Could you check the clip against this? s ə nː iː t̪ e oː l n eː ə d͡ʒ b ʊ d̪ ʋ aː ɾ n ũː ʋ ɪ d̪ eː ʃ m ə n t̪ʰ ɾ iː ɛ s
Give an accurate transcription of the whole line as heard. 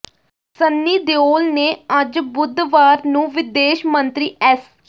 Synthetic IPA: s ə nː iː d̪ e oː l n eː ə d͡ʒ b ʊ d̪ ʋ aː ɾ n ũː ʋ ɪ d̪ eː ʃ m ə n t̪ ɾ iː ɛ s